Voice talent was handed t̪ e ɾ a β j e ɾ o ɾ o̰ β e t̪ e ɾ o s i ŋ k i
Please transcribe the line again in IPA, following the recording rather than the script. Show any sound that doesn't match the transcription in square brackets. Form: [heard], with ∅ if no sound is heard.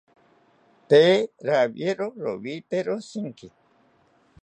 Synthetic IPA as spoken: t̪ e ɾ a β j e ɾ o ɾ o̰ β [i] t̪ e ɾ o s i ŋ k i